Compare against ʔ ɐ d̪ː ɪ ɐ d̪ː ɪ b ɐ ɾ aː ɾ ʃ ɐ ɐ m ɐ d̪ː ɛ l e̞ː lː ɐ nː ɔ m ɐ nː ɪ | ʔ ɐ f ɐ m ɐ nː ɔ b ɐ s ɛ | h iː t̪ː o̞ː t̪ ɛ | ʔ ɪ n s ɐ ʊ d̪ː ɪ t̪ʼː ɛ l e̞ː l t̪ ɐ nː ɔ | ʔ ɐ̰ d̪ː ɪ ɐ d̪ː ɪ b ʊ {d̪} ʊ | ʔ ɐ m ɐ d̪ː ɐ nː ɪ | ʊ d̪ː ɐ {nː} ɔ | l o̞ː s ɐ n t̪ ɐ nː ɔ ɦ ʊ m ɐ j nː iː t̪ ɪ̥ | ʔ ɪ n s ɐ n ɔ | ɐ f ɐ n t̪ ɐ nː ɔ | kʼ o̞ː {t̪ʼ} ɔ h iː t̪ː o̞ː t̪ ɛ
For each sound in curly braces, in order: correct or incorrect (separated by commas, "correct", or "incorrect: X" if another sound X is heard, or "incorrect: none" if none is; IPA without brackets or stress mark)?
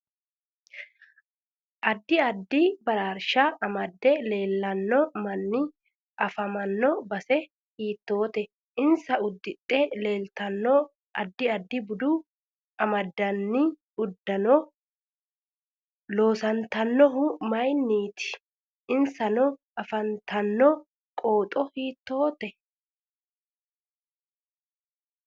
correct, incorrect: n, correct